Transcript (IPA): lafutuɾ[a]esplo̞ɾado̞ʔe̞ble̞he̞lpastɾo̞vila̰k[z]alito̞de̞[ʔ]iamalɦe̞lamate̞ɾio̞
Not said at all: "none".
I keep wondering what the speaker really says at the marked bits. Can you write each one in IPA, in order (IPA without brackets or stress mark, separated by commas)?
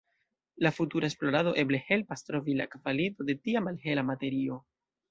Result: a, v, t